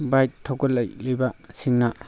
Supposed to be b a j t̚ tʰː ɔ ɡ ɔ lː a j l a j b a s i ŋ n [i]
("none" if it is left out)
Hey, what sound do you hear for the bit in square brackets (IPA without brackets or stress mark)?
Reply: a